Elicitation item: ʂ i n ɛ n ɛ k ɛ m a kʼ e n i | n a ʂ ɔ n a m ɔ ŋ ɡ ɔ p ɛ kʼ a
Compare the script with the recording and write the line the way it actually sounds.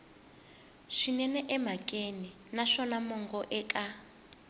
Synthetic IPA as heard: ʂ i n ɛ n ɛ ʔ ɛ m a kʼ e n i | n a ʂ ɔ n a m ɔ ŋ ɡ ɔ ʔ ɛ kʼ a